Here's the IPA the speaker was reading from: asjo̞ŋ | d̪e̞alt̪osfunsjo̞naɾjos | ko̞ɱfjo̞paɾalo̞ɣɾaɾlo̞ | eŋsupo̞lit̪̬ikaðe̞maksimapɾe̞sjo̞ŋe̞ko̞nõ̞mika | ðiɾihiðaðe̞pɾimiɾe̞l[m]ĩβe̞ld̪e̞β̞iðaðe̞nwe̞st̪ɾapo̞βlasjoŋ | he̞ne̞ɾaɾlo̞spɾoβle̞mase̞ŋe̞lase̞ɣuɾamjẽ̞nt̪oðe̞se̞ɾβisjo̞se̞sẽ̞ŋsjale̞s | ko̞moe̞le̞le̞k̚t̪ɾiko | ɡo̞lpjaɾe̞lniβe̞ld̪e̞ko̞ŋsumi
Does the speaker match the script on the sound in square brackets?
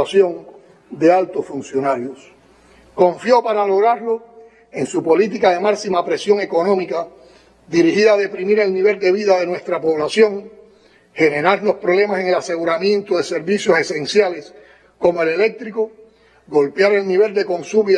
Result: no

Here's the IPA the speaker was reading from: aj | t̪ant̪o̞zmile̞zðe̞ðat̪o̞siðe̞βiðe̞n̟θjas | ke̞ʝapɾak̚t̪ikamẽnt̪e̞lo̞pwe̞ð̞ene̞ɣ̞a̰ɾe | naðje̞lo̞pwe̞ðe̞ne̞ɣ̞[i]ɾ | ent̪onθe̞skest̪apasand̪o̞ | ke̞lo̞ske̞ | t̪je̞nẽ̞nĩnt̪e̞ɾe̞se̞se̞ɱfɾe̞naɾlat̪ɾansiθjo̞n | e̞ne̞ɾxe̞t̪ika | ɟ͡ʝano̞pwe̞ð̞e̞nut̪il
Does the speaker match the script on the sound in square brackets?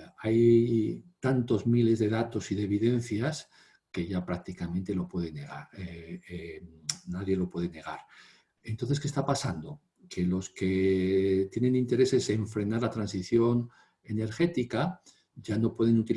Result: no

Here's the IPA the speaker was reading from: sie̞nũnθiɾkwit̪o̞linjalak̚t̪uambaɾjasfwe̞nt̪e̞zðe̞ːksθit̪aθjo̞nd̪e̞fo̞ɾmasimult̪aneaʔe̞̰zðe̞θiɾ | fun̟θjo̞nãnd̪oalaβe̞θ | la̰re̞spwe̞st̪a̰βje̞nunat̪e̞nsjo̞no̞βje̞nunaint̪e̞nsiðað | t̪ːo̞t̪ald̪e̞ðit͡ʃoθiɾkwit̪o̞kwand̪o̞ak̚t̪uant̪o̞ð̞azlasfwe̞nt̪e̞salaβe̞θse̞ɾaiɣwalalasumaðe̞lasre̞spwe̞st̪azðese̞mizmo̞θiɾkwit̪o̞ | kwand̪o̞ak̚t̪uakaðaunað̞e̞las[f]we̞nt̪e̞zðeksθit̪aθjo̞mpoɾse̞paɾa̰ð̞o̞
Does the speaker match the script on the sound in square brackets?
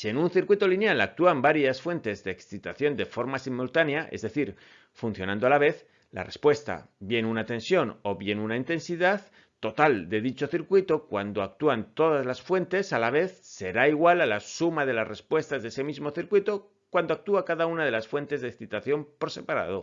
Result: yes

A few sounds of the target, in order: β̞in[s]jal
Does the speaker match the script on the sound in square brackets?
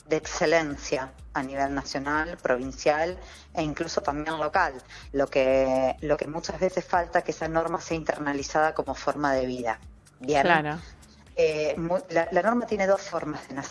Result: yes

